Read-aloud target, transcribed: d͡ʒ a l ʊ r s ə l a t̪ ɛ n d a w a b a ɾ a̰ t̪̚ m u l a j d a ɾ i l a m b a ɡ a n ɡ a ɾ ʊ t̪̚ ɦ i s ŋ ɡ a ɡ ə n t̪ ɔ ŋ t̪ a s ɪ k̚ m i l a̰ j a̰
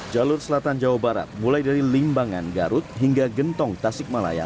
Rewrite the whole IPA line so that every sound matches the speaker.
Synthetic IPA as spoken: d͡ʒ a l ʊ r s ə l a t̪ a n d͡ʒ a w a b a ɾ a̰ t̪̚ m u l a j d a ɾ i l i m b a ŋ a n ɡ a ɾ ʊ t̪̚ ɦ i ŋ ɡ a ɡ ə n t̪ ɔ ŋ t̪ a s ɪ k̚ m a l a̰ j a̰